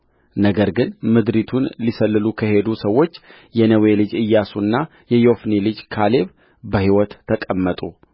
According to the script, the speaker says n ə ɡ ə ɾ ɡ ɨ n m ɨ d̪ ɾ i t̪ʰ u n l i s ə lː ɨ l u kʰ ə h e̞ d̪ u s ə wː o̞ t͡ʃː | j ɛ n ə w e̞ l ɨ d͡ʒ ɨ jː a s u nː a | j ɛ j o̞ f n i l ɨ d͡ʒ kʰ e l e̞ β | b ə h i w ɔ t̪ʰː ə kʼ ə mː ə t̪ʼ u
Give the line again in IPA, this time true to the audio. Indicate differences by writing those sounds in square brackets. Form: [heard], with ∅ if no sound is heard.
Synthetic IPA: n ə ɡ ə ɾ ɡ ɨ n m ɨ d̪ ɾ i t̪ʰ u n l i s ə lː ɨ l u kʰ ə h e̞ d̪ u s ə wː o̞ t͡ʃː | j ɛ n ə w e̞ l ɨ d͡ʒ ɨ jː a s u nː a | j ɛ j o̞ f n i l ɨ d͡ʒ kʰ [a] l e̞ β | b ə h i w ɔ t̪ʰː ə kʼ ə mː ə t̪ʼ u